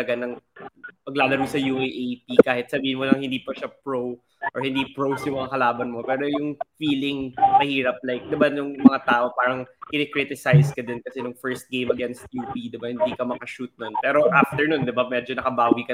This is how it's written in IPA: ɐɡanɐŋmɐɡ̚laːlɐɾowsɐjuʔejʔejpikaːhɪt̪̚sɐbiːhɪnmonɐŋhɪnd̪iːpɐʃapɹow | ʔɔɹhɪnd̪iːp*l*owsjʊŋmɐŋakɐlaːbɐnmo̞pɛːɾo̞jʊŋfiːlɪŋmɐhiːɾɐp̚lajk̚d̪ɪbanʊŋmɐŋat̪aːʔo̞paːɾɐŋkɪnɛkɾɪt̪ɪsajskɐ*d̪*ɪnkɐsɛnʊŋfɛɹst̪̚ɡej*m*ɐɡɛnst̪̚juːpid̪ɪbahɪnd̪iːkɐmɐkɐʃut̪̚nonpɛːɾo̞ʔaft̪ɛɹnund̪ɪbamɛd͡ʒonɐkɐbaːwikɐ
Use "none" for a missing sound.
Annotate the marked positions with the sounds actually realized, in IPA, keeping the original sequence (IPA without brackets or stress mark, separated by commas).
ɹ, d̪, m